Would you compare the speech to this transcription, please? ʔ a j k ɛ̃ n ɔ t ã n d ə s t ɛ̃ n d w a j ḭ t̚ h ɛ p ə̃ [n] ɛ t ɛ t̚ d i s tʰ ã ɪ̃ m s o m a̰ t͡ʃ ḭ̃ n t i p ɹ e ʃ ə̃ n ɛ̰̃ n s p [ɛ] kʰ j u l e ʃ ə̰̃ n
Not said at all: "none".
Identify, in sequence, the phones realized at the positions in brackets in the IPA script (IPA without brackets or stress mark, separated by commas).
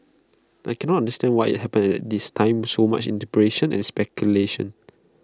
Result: n, ɛ